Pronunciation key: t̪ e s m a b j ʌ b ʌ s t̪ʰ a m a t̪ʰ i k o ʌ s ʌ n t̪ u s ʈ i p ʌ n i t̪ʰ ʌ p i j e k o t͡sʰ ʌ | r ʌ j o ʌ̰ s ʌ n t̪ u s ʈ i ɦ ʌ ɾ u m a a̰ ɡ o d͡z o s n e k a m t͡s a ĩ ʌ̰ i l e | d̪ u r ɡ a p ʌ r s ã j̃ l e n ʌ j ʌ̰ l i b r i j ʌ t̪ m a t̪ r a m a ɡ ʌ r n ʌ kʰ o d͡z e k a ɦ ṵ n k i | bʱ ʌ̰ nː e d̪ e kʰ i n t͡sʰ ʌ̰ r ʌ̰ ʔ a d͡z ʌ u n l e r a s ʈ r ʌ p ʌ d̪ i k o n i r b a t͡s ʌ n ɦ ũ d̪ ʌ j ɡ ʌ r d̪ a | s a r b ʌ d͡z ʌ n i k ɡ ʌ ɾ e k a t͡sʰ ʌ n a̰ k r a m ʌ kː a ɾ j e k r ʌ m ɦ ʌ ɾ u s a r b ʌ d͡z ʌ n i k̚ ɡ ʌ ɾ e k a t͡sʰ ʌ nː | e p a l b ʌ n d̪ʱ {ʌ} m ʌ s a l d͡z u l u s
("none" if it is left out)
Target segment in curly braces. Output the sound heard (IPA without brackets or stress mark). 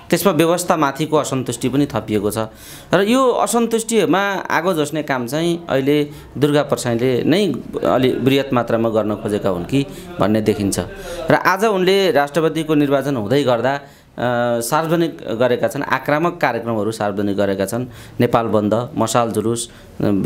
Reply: ʌ